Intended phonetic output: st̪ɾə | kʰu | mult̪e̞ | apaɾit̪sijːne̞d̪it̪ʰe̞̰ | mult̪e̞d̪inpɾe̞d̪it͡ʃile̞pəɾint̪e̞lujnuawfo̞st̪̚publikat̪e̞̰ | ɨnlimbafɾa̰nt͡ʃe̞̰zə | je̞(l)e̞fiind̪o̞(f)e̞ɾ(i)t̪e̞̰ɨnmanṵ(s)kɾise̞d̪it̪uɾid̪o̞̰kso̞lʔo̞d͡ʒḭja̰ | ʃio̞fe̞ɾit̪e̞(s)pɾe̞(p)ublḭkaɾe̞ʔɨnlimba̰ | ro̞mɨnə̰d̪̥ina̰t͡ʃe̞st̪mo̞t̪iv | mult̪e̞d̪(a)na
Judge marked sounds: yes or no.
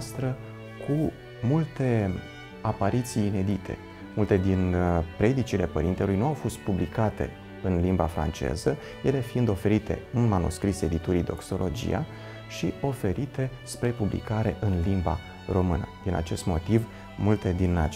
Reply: yes, yes, yes, yes, yes, yes, no

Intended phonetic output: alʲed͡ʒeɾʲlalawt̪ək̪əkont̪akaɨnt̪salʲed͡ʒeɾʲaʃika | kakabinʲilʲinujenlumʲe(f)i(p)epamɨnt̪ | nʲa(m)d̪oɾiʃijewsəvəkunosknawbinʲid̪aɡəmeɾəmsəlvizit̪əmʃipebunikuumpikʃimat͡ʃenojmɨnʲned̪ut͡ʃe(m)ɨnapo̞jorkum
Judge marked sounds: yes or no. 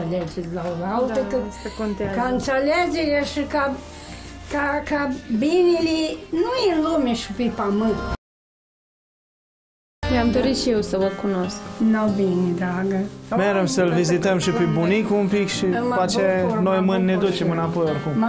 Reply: no, yes, yes, yes

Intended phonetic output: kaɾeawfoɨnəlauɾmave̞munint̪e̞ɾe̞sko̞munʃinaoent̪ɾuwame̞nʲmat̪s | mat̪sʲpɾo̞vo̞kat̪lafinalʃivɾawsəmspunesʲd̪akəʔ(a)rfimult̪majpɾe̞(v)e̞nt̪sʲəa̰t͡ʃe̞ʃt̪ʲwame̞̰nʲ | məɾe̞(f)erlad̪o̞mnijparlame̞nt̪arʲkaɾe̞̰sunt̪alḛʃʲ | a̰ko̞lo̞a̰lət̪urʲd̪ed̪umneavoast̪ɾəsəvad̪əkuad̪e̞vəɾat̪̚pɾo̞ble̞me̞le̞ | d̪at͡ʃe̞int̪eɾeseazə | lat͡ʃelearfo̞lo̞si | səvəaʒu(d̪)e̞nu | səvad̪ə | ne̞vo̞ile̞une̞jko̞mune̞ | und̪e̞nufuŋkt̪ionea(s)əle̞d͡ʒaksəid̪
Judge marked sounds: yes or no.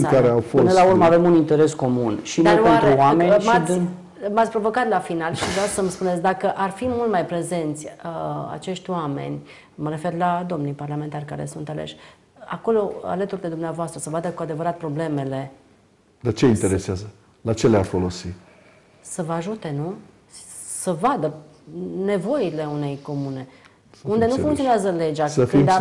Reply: yes, no, yes, no, no

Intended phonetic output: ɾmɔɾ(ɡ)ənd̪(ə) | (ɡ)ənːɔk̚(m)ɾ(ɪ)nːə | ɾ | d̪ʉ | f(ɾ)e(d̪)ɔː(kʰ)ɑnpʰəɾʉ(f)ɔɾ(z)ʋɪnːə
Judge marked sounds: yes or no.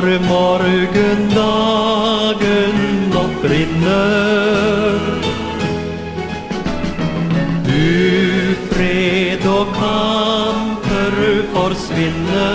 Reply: yes, no, yes, no, yes, yes, yes, yes, yes, no

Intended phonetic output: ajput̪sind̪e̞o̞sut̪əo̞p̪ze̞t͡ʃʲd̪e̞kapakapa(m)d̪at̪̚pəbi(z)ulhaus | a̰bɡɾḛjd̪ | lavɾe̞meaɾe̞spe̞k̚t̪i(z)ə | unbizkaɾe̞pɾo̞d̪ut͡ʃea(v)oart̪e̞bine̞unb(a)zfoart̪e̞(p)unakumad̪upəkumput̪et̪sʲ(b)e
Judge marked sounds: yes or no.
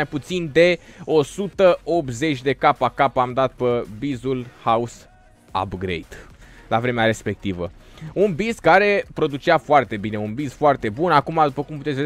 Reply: yes, yes, no, no, no, no, no

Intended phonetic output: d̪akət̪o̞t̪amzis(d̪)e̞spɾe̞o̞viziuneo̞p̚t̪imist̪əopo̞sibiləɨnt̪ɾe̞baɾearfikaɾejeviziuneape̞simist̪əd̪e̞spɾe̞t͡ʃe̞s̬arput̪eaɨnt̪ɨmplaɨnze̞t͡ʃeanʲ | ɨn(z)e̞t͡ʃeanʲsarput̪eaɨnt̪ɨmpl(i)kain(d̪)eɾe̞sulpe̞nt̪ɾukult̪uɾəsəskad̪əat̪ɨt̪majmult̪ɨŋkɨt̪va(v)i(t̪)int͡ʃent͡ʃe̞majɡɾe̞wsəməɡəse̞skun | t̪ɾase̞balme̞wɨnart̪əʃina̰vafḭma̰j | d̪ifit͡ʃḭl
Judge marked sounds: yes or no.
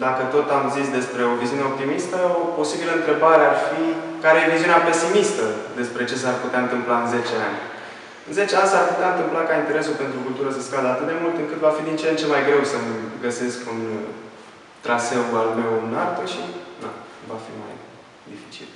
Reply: yes, yes, no, no, no, no

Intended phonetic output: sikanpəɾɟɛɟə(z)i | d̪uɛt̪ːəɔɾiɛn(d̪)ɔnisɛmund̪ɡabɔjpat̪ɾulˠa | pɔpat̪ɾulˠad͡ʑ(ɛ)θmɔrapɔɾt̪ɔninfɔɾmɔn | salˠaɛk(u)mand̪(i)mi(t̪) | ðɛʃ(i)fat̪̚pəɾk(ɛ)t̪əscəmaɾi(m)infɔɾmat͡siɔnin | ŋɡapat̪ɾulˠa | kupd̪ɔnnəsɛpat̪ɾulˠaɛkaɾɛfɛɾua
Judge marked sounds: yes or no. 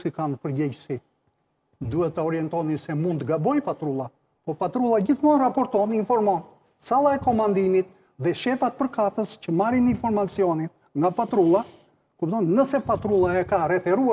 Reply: no, no, no, no, yes, yes, no, no, no

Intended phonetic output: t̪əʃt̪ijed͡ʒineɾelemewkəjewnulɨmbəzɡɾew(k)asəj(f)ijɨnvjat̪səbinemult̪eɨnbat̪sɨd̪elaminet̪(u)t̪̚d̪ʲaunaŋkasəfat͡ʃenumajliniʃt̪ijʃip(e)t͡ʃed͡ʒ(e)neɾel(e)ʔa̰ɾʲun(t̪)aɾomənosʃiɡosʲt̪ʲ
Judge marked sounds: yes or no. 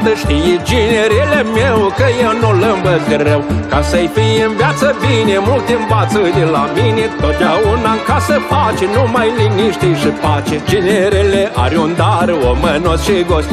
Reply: yes, yes, no, no, no, yes, no

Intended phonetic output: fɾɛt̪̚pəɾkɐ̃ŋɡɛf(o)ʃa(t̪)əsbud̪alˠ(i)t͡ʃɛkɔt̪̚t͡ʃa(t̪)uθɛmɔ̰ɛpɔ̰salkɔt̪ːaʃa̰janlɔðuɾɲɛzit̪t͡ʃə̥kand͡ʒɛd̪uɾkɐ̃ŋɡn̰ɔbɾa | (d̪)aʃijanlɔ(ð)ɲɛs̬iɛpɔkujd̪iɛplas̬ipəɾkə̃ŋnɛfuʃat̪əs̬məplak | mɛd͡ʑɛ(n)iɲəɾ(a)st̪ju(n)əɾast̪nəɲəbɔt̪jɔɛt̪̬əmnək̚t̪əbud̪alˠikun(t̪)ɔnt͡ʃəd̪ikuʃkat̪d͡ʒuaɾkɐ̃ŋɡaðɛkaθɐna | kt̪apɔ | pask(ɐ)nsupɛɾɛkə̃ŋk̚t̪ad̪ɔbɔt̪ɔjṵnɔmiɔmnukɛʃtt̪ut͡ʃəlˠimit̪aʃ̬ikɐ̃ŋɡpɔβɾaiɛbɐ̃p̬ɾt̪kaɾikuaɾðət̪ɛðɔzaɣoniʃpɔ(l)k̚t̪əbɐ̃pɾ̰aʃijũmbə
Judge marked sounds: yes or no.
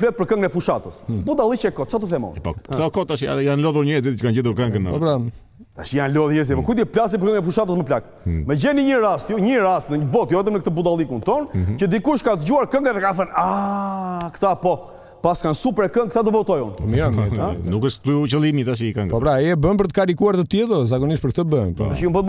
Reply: no, yes, yes, yes, no, yes, yes, yes, no, yes, no, no

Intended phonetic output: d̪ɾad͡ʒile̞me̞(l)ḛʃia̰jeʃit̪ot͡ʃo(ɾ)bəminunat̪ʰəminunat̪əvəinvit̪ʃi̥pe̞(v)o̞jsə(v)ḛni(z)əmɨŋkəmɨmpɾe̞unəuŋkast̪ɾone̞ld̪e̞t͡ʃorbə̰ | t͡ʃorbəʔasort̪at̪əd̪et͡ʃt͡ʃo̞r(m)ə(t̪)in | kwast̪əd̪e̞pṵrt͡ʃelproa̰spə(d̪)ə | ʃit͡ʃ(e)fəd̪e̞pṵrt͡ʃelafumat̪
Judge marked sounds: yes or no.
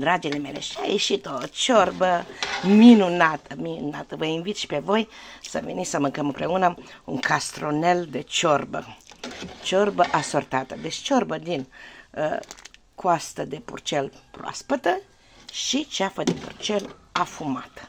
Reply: yes, no, yes, yes, no, no, no, no, no

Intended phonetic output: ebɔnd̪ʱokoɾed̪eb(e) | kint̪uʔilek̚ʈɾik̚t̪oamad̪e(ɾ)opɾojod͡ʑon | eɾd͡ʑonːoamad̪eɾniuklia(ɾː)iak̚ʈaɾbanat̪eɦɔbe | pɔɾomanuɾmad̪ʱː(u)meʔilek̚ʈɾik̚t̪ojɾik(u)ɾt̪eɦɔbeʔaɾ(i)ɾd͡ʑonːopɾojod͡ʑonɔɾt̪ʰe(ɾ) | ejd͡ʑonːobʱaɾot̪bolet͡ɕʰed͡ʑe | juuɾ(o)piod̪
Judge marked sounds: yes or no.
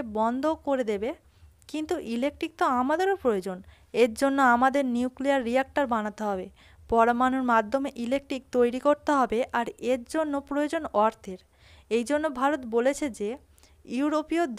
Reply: yes, yes, yes, no, no, no, yes, yes

